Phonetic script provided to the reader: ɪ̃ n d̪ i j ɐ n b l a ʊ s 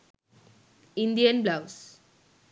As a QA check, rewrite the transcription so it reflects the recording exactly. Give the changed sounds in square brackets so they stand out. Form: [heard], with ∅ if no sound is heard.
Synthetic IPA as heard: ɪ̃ n d̪ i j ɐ n b l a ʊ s